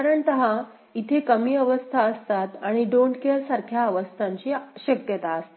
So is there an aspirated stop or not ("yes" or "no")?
yes